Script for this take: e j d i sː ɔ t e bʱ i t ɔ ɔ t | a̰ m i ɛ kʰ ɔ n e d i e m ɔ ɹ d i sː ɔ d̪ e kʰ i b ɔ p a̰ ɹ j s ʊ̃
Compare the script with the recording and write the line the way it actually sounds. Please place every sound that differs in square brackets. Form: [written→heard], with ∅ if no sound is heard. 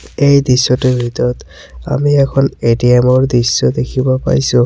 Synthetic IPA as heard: e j d i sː ɔ t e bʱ i t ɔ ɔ t | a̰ m i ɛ kʰ ɔ n e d i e m ɔ ɹ d i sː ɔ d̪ e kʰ i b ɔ p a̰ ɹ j s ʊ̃